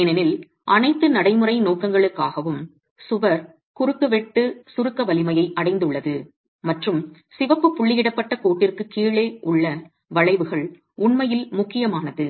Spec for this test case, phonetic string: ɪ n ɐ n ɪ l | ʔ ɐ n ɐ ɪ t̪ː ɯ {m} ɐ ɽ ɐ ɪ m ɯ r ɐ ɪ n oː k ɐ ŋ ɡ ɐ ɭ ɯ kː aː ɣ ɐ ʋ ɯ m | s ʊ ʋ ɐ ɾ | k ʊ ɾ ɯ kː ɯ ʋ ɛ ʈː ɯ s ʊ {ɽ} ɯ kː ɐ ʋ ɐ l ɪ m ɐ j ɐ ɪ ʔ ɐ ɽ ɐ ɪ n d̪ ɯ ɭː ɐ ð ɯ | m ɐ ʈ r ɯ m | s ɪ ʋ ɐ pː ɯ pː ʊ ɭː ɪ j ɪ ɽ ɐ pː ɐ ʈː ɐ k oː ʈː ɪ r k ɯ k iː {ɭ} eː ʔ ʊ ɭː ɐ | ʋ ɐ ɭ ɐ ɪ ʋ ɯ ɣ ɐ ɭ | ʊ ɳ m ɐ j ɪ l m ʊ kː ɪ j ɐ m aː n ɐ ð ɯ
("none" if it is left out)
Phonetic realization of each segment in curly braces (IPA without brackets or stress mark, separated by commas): n, ɾ, ɭ